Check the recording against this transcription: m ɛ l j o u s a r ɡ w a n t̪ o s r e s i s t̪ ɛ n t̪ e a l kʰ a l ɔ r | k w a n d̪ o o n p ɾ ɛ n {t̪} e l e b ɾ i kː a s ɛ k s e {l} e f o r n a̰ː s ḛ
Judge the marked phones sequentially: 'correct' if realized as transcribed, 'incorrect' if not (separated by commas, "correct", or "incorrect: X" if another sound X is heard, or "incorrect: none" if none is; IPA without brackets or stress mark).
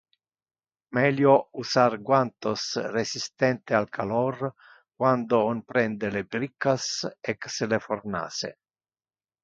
incorrect: d̪, correct